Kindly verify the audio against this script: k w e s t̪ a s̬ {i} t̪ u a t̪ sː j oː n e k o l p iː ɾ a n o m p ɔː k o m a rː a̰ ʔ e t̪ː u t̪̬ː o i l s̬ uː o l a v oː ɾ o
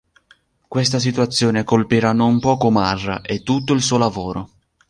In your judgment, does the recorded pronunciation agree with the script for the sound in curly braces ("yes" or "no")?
yes